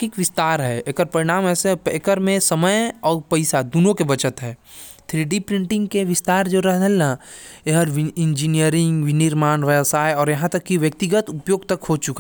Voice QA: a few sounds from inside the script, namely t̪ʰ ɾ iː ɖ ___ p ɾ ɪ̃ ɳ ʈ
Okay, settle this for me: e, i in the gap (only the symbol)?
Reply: i